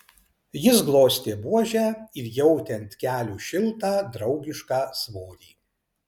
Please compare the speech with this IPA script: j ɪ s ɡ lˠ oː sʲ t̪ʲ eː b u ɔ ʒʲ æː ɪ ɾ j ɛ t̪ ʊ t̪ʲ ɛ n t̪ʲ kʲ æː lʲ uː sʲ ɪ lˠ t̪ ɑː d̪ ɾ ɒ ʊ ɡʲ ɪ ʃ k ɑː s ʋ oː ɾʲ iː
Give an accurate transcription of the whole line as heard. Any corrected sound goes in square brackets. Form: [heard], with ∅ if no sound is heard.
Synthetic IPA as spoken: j ɪ s ɡ lˠ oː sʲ t̪ʲ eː b u ɔ ʒʲ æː ɪ ɾ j ɛ [∅] ʊ t̪ʲ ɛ n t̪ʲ kʲ æː lʲ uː [ʃʲ] ɪ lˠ t̪ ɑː d̪ ɾ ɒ ʊ ɡʲ ɪ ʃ k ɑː s ʋ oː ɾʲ iː